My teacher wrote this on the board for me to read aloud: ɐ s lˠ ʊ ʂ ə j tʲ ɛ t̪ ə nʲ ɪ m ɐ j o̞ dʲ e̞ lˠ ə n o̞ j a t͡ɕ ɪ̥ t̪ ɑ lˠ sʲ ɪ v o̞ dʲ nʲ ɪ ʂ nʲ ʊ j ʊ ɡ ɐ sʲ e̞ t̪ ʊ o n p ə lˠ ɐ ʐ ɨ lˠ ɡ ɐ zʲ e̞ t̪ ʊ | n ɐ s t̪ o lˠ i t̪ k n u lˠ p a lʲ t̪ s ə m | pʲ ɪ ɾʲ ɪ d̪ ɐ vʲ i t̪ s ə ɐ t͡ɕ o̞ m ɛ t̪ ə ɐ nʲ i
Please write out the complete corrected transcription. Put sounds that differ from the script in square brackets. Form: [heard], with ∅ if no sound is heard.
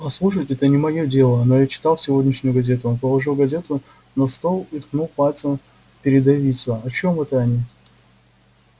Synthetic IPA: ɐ s lˠ [u] ʂ ə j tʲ ɛ t̪ ə nʲ ɪ m ɐ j o̞ dʲ e̞ lˠ ə n o̞ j a t͡ɕ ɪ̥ t̪ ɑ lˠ sʲ ɪ v o̞ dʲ nʲ ɪ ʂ nʲ ʊ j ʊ ɡ ɐ [zʲ] e̞ t̪ ʊ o n p ə lˠ ɐ ʐ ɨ lˠ ɡ ɐ zʲ e̞ t̪ ʊ | n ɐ s t̪ o lˠ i t̪ k n u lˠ p a lʲ t̪ s ə m | pʲ ɪ ɾʲ ɪ d̪ ɐ vʲ i t̪ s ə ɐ t͡ɕ o̞ m ɛ t̪ ə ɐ nʲ i